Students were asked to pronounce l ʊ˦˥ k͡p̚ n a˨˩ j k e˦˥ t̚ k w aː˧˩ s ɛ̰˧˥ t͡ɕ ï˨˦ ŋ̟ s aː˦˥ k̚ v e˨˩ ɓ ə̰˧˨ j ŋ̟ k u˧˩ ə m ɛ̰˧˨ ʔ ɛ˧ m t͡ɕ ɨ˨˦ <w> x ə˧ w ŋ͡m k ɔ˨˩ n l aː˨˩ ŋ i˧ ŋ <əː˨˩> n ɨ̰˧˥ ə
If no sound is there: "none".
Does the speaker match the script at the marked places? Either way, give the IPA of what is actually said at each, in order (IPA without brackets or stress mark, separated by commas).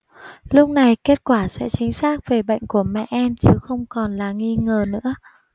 none, əː˨˩